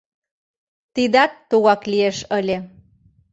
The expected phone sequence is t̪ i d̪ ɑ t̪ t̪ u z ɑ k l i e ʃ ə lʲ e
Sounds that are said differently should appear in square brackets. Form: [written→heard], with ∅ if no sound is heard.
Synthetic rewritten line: t̪ i d̪ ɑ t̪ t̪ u [z→ɣ] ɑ k l i e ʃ ə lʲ e